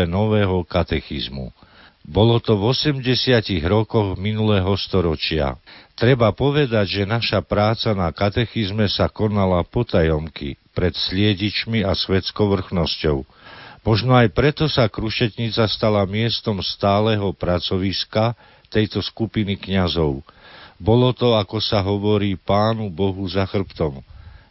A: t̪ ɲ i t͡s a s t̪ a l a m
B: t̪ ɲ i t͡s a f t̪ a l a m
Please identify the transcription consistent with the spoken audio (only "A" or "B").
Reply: A